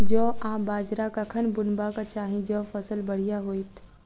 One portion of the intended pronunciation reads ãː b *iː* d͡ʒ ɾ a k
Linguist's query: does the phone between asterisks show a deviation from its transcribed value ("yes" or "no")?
yes